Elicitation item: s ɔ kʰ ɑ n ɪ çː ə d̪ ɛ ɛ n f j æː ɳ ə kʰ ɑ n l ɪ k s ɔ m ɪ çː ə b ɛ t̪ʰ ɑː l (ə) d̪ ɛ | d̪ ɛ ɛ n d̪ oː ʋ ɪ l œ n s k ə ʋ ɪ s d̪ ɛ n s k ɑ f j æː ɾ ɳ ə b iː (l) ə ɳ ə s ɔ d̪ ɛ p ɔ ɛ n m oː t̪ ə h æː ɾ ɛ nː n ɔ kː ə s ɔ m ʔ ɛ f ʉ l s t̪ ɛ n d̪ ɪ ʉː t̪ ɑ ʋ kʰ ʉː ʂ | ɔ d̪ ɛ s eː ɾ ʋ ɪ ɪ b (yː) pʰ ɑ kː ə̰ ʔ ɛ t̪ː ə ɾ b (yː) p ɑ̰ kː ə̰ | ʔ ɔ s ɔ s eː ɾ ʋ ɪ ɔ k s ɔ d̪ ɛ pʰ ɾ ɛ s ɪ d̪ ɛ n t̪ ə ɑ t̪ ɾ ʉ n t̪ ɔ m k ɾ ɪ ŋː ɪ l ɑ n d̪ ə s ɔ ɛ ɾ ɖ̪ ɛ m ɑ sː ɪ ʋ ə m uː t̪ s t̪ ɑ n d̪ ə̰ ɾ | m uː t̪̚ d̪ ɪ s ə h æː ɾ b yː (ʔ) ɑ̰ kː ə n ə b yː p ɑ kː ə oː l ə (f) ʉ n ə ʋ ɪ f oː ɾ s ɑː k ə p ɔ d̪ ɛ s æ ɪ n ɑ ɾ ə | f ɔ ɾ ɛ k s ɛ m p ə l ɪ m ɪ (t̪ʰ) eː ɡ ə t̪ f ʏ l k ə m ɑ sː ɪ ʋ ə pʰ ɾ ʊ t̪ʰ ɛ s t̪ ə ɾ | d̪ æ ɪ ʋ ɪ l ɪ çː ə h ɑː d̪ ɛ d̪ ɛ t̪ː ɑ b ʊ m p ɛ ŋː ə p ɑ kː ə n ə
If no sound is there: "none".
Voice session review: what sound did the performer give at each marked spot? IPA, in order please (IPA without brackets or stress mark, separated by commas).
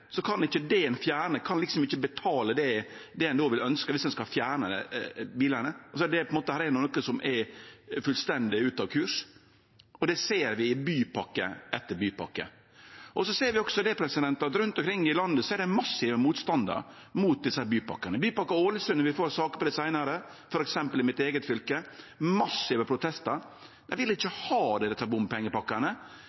ə, l, yː, yː, p, s, t̪